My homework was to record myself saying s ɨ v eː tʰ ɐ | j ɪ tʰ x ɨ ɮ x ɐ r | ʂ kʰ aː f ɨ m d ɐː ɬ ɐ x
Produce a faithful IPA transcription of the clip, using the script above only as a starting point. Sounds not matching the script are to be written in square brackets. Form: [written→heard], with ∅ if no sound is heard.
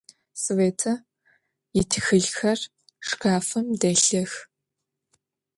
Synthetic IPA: s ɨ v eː tʰ ɐ | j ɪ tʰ x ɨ ɮ x ɐ r | ʂ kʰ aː f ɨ m d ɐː ɬ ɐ x